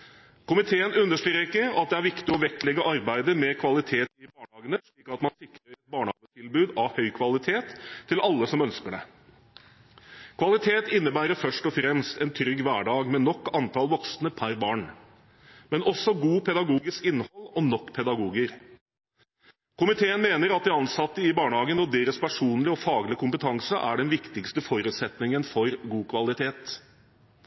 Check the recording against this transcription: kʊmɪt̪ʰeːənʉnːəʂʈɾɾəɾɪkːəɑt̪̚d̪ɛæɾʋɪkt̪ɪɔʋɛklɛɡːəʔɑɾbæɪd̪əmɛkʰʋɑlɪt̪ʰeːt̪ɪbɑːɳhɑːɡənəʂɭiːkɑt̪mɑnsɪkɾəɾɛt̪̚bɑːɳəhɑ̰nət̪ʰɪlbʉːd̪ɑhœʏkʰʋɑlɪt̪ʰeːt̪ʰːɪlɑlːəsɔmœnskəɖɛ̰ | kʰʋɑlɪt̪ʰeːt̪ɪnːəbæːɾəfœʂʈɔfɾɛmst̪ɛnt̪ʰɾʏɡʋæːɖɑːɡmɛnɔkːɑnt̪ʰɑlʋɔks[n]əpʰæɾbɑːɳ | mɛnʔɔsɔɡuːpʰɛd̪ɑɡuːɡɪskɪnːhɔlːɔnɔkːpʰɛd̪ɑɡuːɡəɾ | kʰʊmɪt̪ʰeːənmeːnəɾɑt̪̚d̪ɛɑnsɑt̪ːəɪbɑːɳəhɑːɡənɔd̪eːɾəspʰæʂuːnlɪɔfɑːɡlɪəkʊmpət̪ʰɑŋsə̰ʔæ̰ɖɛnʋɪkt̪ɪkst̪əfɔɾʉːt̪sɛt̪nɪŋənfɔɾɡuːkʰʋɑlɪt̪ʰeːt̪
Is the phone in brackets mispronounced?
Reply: no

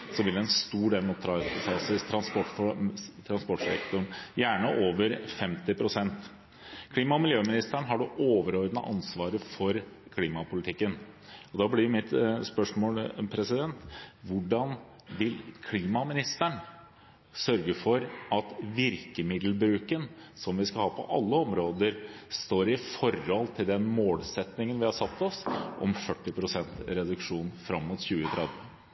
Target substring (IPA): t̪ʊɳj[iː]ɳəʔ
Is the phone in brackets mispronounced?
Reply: yes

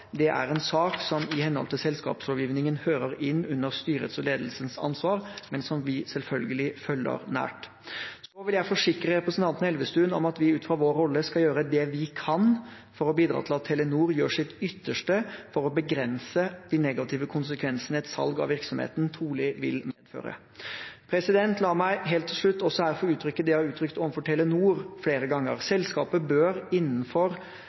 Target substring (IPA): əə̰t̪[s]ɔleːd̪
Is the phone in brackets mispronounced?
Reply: no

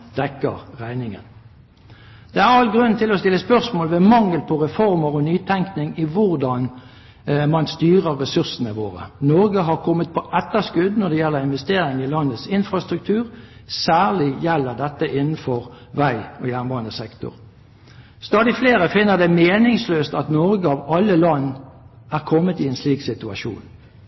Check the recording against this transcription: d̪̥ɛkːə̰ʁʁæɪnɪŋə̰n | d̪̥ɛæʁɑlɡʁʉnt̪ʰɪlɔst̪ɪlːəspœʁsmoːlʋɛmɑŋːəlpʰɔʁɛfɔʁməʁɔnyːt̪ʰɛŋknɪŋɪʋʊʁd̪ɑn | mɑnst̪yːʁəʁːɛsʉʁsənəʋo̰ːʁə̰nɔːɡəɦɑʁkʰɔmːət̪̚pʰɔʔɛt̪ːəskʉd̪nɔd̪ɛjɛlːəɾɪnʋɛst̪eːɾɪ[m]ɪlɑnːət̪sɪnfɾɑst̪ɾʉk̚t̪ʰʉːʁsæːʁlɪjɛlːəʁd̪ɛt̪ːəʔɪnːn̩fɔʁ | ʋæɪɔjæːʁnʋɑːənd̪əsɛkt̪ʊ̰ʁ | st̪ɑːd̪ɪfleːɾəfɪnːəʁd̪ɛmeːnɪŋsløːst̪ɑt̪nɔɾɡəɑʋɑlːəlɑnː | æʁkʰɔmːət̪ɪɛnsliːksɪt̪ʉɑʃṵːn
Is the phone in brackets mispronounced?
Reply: yes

